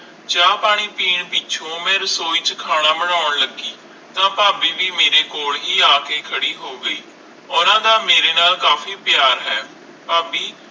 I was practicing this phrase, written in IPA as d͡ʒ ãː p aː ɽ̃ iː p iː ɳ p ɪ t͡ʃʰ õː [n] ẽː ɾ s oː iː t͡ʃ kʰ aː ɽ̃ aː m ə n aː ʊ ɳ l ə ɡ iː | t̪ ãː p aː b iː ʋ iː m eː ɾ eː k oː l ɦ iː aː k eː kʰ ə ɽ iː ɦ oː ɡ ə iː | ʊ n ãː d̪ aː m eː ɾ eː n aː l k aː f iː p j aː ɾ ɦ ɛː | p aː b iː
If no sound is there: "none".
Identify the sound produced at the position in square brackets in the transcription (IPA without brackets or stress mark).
m